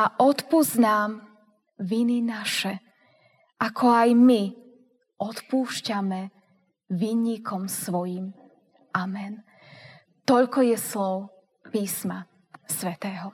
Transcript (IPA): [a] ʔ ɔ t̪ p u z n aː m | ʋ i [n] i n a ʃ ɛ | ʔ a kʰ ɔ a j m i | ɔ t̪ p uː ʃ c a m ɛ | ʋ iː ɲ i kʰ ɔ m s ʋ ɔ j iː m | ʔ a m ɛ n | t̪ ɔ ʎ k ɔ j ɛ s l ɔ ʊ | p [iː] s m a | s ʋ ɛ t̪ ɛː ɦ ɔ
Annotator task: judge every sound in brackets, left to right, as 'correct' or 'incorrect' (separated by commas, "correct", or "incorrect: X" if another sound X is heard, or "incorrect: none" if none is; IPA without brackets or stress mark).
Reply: correct, correct, correct